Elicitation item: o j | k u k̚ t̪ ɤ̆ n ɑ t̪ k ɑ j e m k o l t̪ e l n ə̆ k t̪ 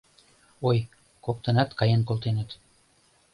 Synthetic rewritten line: o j | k o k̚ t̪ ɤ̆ n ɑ t̪ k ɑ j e n k o l t̪ e n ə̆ t̪